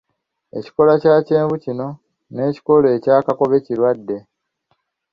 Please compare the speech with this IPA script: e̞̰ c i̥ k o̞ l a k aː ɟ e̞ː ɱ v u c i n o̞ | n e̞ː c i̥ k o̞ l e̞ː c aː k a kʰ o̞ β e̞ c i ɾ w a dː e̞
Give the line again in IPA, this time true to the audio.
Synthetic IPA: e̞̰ c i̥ k o̞ l a c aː c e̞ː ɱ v u c i n o̞ | n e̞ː c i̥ k o̞ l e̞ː c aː k a k o̞ β e̞ c i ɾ w a dː e̞